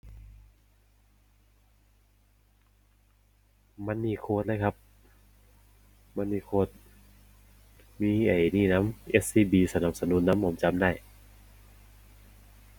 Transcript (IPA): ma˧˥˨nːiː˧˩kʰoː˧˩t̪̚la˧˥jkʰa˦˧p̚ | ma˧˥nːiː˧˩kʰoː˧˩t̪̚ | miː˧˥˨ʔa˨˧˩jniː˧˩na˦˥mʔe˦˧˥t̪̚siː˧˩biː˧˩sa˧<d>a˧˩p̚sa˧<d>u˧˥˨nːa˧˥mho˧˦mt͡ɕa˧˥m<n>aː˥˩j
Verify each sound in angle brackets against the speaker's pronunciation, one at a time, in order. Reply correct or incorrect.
incorrect: n, incorrect: n, incorrect: d

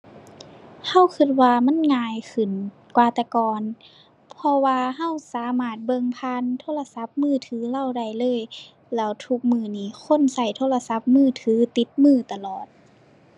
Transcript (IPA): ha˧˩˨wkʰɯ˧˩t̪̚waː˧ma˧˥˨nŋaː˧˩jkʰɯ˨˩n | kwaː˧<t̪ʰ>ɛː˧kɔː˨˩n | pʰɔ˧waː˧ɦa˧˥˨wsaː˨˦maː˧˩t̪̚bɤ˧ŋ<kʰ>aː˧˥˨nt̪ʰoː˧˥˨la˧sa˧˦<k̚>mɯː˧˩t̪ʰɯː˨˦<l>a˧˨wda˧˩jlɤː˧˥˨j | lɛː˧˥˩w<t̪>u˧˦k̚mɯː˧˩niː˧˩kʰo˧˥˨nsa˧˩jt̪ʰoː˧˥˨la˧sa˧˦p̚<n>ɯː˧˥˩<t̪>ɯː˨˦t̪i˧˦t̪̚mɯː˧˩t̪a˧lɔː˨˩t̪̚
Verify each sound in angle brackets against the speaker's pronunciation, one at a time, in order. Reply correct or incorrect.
incorrect: t̪, incorrect: pʰ, incorrect: p̚, correct, incorrect: t̪ʰ, incorrect: m, incorrect: t̪ʰ

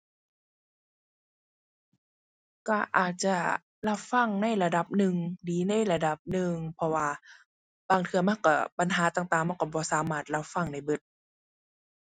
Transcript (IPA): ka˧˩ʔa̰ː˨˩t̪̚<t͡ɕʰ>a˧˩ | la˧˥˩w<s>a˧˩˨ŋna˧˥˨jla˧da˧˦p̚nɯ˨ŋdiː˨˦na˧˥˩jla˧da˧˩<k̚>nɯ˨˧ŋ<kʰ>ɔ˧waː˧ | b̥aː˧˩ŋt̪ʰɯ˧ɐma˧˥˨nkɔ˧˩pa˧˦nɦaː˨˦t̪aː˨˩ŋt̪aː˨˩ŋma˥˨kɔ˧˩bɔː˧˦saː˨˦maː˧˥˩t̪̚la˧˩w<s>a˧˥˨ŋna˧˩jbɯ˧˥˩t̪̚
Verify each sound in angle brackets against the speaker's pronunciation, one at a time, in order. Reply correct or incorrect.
incorrect: t͡ɕ, incorrect: f, incorrect: p̚, incorrect: pʰ, incorrect: f

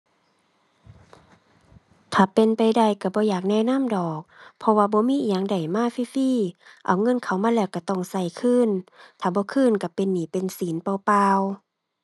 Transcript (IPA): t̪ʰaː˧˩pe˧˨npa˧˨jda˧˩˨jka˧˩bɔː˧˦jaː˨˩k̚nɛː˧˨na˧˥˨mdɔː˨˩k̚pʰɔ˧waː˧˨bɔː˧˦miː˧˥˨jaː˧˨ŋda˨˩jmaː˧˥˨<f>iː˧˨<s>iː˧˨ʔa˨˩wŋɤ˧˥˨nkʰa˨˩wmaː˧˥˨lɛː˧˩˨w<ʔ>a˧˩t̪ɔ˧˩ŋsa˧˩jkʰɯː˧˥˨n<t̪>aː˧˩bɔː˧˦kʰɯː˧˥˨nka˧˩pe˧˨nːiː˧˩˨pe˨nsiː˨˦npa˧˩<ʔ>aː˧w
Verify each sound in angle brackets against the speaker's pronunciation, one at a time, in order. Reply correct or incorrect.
correct, incorrect: f, incorrect: k, incorrect: t̪ʰ, incorrect: p

